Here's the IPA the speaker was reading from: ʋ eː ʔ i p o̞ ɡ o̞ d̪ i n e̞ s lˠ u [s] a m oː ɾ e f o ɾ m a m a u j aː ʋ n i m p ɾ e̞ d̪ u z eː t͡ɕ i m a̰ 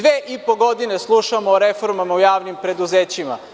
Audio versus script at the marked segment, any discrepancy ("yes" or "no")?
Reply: yes